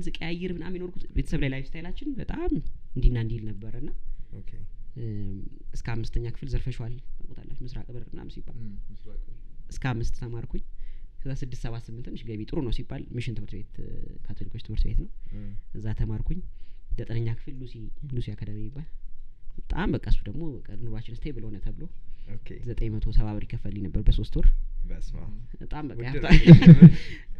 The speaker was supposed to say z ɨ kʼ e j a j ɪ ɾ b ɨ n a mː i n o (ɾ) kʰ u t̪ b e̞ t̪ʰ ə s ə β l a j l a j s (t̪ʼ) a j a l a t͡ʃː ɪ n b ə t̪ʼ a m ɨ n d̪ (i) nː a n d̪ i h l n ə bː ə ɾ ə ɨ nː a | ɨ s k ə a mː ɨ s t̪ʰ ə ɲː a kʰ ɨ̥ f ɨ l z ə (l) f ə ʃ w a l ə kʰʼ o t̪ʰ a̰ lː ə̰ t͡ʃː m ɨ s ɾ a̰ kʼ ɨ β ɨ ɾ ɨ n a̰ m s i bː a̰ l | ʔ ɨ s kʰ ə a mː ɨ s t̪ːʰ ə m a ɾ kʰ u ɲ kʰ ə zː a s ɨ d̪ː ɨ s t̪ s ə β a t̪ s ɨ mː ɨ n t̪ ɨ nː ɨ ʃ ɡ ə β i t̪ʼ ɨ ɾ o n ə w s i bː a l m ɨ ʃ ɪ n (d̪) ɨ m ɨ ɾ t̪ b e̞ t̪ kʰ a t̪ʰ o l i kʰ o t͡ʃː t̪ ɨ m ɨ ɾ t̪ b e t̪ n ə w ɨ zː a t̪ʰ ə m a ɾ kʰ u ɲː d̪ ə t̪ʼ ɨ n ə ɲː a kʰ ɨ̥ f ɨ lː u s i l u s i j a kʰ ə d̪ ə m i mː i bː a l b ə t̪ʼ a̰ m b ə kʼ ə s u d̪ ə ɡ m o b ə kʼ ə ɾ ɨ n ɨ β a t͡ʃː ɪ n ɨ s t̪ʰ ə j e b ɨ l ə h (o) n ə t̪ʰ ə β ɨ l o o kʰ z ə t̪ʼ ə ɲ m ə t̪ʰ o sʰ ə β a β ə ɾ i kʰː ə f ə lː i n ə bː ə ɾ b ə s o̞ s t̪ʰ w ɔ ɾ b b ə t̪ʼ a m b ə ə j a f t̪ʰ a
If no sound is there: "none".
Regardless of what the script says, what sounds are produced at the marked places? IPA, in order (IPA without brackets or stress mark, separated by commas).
ɾ, t̪, i, ɾ, t̪, o